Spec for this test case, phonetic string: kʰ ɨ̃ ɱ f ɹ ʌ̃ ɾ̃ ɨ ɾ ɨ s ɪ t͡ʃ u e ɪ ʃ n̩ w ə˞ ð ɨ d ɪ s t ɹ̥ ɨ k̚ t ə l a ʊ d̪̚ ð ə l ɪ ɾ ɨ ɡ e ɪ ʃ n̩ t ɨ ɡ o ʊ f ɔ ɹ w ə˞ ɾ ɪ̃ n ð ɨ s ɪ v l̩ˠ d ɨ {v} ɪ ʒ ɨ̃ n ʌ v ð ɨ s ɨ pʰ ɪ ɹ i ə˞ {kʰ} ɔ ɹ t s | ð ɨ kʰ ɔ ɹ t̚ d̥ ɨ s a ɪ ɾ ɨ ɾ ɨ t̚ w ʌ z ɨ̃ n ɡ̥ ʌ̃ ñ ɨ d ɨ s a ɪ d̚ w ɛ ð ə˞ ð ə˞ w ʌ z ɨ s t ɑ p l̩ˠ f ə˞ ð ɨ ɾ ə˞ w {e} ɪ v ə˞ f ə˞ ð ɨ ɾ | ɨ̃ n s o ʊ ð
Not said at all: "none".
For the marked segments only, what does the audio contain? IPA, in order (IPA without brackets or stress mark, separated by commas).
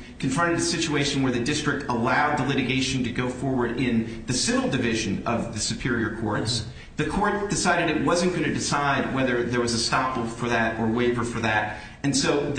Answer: v, kʰ, e